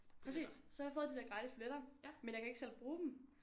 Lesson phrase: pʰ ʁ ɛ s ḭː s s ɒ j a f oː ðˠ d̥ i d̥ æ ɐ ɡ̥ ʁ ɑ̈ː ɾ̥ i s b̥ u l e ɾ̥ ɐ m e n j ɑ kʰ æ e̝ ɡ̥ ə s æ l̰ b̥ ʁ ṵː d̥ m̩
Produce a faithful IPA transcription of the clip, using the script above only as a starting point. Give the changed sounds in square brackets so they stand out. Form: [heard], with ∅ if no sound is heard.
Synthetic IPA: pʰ ʁ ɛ s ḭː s s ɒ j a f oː ðˠ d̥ i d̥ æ ɐ ɡ̥ ʁ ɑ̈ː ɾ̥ i s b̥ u l e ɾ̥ ɐ m e n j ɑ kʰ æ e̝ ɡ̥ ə s [e] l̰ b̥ ʁ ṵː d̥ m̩